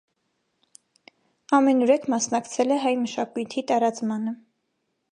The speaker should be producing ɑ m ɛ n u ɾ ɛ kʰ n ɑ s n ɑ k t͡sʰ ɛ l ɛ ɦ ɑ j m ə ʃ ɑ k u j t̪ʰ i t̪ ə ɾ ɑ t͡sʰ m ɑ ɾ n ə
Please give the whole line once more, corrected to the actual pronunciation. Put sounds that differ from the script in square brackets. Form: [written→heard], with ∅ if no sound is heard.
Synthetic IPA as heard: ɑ m ɛ n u ɾ ɛ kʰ [n→m] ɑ s n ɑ k t͡sʰ ɛ l ɛ ɦ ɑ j m ə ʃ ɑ k u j t̪ʰ i t̪ [ə→ɑ] ɾ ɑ [t͡sʰ→t͡s] m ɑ [ɾ→∅] n ə